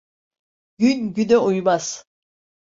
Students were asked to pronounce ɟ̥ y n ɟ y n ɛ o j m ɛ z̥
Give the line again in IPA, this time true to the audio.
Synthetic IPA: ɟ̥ y n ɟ y n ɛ u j m a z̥